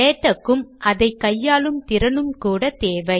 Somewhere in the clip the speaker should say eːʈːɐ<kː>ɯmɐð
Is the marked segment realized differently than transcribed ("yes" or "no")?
no